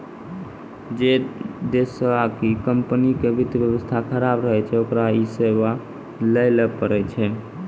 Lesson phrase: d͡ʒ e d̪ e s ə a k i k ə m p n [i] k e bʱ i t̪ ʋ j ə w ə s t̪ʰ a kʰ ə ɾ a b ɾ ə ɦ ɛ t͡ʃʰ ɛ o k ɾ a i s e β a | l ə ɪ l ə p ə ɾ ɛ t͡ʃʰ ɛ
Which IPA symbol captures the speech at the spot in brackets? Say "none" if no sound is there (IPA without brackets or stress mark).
i